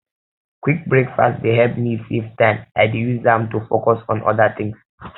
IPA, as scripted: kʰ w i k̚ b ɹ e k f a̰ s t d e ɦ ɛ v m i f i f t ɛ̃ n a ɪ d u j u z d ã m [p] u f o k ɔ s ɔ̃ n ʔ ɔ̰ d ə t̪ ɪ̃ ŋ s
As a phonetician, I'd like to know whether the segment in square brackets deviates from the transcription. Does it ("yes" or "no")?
yes